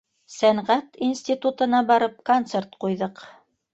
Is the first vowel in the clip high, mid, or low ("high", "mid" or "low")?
low